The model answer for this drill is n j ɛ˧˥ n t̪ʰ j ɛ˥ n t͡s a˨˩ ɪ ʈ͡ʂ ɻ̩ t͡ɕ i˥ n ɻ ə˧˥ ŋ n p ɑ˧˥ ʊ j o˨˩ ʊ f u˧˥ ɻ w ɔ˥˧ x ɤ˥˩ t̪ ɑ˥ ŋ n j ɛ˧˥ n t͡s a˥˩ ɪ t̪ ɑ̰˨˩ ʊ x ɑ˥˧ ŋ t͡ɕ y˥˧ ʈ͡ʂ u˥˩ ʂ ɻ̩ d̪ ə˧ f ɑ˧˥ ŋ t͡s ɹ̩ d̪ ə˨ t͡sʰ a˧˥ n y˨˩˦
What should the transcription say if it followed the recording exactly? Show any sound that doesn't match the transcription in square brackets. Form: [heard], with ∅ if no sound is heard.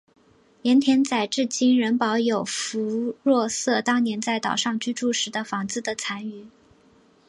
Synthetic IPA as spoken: n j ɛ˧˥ n t̪ʰ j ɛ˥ n t͡s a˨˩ ɪ ʈ͡ʂ ɻ̩ t͡ɕ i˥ n ɻ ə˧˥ [∅] n p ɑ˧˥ ʊ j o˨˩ ʊ f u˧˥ ɻ w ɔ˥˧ [s] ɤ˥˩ t̪ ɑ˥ ŋ n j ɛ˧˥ n t͡s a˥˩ ɪ t̪ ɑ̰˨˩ ʊ [ʂ] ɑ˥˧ ŋ t͡ɕ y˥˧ ʈ͡ʂ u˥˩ ʂ ɻ̩ d̪ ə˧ f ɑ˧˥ ŋ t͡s ɹ̩ d̪ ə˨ t͡sʰ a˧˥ n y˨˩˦